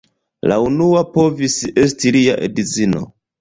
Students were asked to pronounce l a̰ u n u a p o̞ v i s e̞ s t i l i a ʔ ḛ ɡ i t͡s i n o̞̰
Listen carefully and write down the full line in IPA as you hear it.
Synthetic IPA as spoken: l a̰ u n u a p o̞ v i s e̞ s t i l i a ʔ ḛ d i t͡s i n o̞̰